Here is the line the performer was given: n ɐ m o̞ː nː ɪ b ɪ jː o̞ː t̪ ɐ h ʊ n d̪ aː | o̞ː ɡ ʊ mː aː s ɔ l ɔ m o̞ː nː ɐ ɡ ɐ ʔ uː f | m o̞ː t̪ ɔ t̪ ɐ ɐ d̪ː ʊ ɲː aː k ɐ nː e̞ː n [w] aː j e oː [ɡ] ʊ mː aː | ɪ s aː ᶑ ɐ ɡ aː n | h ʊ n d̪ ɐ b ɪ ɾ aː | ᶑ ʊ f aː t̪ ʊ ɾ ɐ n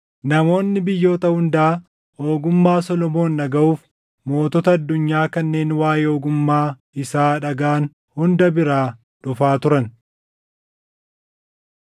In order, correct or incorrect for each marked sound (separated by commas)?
correct, correct